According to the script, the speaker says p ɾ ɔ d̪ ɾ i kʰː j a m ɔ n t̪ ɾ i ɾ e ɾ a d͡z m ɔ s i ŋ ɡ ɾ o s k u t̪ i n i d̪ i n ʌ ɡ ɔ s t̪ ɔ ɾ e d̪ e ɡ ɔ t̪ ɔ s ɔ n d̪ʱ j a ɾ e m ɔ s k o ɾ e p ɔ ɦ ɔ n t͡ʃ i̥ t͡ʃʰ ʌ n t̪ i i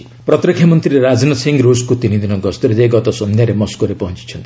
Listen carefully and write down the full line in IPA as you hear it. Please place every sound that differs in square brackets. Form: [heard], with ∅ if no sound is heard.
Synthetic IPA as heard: p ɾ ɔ [t̪] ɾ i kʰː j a m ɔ n t̪ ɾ i ɾ e ɾ a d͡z [n] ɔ s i ŋ ɡ ɾ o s k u t̪ i n i d̪ i n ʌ ɡ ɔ s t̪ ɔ ɾ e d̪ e ɡ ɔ t̪ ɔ s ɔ n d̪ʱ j a ɾ e m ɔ s k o ɾ e p ɔ ɦ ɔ n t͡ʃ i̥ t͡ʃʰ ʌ n t̪ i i